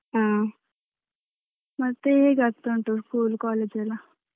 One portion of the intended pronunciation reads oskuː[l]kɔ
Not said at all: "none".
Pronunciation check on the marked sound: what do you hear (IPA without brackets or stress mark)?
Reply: l